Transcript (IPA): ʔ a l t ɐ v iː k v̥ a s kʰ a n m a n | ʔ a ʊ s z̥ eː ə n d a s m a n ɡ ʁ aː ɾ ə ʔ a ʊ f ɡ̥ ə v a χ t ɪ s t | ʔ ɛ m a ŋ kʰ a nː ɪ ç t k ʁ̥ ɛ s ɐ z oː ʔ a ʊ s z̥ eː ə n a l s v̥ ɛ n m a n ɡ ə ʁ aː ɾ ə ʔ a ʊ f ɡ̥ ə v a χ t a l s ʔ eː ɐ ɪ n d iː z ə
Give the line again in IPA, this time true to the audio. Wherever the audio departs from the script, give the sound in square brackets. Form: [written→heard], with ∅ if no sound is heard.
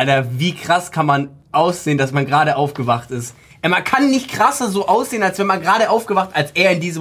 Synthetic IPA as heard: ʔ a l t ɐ v iː k [v̥→ʁ̥] a s kʰ a n m a n | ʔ a ʊ s z̥ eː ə n d a s m a n ɡ ʁ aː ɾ ə ʔ a ʊ f ɡ̥ ə v a χ t ɪ s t | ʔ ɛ m a [ŋ→n] kʰ a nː ɪ ç t k ʁ̥ [ɛ→a] s ɐ z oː ʔ a ʊ s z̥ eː ə n a l s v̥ ɛ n m a n ɡ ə ʁ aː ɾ ə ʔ a ʊ f ɡ̥ ə v a χ t a l s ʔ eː ɐ ɪ n d iː z ə